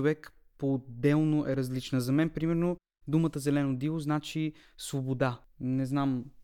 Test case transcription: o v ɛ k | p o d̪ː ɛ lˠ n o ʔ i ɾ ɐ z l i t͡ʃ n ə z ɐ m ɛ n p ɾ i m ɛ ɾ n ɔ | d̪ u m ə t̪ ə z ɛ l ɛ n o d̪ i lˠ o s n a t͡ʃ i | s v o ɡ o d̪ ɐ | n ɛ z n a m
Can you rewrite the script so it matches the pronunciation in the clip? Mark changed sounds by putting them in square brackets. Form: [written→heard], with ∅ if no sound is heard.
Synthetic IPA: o v ɛ k | p o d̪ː ɛ lˠ n o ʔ [i→ɛ] ɾ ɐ z l i t͡ʃ n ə z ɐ m ɛ n p ɾ i m ɛ ɾ n [ɔ→o] | d̪ u m ə t̪ ə z ɛ l ɛ n o d̪ i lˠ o [s→z] n a t͡ʃ i | s v o [ɡ→b] o d̪ [ɐ→a] | n ɛ z n a m